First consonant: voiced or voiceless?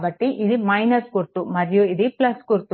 voiced